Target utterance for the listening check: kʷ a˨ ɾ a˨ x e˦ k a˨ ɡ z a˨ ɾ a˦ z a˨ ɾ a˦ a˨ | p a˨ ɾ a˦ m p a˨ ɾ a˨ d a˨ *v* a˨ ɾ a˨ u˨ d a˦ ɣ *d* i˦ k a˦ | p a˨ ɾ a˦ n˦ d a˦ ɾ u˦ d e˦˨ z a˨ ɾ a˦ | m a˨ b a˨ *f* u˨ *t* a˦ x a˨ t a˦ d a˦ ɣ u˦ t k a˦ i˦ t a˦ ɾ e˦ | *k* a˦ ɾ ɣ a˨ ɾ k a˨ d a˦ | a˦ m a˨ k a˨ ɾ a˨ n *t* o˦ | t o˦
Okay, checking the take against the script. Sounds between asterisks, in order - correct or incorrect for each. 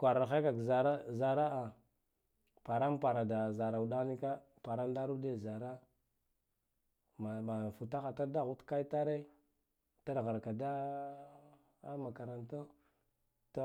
incorrect, incorrect, correct, correct, incorrect, correct

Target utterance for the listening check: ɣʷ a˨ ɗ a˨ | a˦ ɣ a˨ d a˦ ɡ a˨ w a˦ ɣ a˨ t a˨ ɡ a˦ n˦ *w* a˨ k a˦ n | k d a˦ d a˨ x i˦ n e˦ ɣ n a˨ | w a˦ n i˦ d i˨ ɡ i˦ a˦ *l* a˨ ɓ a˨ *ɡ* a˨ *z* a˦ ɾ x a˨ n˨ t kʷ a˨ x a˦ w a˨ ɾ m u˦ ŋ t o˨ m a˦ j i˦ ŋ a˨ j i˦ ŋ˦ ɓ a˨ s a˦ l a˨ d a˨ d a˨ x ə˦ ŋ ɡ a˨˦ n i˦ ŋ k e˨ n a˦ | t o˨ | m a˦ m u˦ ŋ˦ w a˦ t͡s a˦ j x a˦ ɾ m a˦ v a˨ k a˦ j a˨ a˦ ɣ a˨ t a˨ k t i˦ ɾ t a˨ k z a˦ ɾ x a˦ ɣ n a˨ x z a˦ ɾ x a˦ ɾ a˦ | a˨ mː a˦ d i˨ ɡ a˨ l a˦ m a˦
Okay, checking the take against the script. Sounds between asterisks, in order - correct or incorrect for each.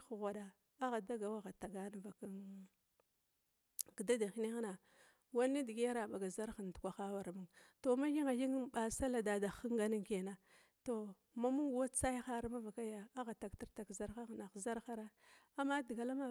incorrect, incorrect, correct, correct

